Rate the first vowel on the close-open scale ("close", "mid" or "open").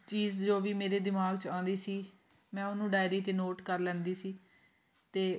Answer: close